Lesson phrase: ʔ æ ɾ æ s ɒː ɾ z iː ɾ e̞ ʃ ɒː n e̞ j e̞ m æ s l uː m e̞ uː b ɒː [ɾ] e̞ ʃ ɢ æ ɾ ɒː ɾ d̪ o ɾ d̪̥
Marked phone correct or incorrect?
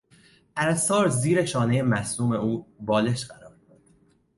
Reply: incorrect